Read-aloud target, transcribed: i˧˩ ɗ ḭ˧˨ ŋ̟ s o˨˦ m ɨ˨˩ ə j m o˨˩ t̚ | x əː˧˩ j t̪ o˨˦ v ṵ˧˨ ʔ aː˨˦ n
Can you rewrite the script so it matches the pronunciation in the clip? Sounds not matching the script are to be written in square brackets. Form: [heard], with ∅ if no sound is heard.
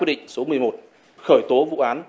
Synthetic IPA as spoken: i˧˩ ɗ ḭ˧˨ ŋ̟ s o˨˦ m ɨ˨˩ ə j m o˨˩ t̚ | x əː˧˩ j t̪ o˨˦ v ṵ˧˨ ʔ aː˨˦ n